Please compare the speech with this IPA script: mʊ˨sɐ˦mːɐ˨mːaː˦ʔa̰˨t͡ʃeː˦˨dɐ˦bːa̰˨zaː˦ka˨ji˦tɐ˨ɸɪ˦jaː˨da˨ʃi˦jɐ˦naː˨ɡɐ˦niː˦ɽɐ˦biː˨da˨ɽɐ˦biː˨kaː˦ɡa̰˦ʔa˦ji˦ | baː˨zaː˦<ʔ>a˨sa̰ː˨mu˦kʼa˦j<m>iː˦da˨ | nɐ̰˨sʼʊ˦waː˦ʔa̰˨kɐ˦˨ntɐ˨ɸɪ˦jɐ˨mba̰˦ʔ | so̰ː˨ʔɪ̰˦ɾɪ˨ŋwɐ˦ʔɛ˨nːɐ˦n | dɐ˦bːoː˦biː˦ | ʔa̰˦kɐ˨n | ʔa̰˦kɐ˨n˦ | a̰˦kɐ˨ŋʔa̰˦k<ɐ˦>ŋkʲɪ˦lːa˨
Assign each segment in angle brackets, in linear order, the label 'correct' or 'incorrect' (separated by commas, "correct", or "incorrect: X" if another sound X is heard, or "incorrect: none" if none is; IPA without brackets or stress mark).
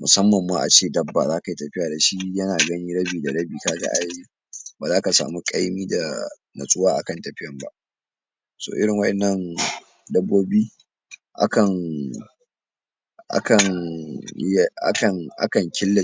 incorrect: k, correct, incorrect: ɐ˨